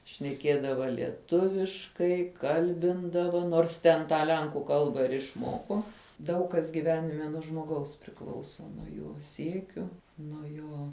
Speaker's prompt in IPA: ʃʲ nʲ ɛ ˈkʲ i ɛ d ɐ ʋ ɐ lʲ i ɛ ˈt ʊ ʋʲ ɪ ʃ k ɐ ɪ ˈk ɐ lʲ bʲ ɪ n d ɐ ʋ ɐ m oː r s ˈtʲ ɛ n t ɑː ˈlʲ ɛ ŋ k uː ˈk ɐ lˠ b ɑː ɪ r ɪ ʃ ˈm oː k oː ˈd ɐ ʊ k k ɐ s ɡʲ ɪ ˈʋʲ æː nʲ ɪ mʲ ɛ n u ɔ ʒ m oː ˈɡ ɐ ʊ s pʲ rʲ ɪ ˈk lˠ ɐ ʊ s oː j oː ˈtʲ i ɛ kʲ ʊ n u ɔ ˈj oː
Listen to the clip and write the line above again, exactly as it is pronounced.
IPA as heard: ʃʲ nʲ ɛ ˈkʲ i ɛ d ɐ ʋ ɐ lʲ i ɛ ˈt ʊ ʋʲ ɪ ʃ k ɐ ɪ ˈk ɐ lʲ bʲ ɪ n d ɐ ʋ ɐ n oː r s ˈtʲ ɛ n t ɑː ˈlʲ ɛ ŋ k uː ˈk ɐ lˠ b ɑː ɪ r ɪ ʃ ˈm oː k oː ˈd ɐ ʊ k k ɐ s ɡʲ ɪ ˈʋʲ æː nʲ ɪ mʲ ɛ n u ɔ ʒ m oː ˈɡ ɐ ʊ s pʲ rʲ ɪ ˈk lˠ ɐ ʊ s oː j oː ˈsʲ i ɛ kʲ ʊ n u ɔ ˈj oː